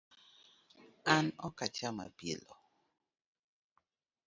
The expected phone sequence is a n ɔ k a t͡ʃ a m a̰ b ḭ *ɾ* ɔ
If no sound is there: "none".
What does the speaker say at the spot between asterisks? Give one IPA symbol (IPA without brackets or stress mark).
l